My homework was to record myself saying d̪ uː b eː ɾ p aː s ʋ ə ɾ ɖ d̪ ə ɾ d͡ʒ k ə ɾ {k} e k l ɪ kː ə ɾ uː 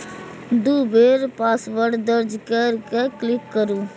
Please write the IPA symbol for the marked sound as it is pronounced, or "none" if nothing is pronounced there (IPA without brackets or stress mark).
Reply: k